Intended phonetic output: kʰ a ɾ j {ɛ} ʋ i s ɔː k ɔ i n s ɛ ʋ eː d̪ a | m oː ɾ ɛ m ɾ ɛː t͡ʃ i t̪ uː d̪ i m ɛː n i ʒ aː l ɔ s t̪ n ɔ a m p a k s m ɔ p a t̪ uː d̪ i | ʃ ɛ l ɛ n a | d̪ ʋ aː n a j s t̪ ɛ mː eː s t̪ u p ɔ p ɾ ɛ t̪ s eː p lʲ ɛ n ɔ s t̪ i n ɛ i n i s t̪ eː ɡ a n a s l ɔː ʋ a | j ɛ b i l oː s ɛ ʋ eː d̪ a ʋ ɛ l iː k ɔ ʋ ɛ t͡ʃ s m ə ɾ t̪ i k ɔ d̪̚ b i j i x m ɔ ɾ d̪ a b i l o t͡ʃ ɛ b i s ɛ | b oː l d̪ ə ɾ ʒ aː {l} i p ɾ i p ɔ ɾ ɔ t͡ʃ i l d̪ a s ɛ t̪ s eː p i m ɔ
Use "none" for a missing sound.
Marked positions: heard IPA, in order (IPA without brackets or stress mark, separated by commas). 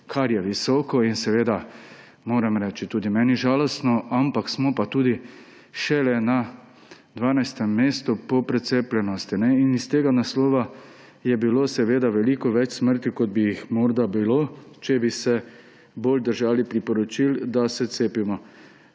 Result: ɛ, l